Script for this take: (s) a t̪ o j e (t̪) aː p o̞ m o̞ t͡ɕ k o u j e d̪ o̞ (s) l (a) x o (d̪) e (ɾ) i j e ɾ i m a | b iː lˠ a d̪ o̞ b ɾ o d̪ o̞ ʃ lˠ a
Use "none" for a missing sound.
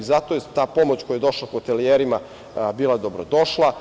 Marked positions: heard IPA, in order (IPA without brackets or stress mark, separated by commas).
z, t̪, ʃ, a, t̪, l